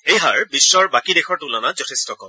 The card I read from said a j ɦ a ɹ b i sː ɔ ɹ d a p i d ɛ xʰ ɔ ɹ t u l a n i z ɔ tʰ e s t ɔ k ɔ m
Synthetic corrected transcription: e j ɦ a ɹ b i sː ɔ ɹ b a k i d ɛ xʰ ɔ ɹ t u l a n a z ɔ tʰ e s t ɔ k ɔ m